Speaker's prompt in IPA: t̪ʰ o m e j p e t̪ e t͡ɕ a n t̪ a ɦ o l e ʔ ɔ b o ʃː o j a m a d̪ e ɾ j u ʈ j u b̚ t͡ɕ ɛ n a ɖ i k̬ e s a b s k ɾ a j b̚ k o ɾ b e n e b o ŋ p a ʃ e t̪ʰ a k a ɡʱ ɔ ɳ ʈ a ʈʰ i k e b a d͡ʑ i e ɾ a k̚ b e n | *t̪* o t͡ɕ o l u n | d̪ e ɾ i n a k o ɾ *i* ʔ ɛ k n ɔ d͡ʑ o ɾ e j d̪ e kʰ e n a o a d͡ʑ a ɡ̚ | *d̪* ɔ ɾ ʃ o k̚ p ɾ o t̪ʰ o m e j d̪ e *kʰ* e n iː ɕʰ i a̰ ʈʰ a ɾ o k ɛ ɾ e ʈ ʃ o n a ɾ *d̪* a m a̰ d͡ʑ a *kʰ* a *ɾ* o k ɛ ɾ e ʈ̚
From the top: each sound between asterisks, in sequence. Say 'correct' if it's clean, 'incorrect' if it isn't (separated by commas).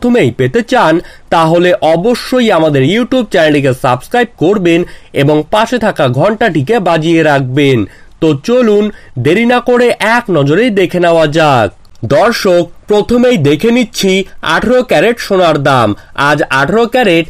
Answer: correct, incorrect, correct, correct, correct, incorrect, correct